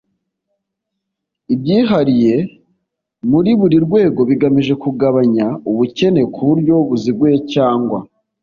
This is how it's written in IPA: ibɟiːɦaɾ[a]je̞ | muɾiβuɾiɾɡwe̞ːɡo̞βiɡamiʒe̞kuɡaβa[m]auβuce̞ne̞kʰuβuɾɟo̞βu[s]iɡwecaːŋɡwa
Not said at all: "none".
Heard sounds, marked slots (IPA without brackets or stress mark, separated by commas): i, ɲ, z